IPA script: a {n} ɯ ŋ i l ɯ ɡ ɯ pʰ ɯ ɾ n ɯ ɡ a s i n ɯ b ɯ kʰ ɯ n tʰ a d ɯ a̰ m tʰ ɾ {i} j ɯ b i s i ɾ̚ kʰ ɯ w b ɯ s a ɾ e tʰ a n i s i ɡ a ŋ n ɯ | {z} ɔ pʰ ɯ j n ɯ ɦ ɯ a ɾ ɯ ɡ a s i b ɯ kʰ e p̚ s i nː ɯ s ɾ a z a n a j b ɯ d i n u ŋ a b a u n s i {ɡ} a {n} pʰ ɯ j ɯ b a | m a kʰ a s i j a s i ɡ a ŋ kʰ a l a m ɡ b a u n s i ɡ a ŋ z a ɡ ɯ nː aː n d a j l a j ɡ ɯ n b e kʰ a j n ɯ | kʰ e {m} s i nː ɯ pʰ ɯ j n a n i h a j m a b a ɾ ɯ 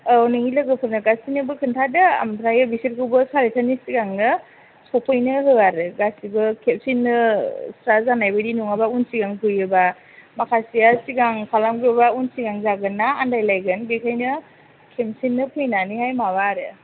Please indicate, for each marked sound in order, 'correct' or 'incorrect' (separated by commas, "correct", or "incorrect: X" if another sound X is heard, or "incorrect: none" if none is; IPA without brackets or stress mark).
correct, incorrect: a, incorrect: s, correct, incorrect: ŋ, correct